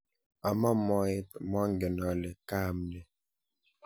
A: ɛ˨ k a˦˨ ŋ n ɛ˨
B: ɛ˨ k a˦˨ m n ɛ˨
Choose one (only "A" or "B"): B